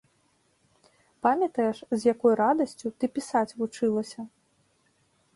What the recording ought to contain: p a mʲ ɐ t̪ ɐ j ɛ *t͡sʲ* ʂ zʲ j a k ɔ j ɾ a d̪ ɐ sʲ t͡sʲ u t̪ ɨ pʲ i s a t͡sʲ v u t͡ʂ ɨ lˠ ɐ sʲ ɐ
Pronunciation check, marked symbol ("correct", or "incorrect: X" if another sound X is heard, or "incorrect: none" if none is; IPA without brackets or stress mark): incorrect: none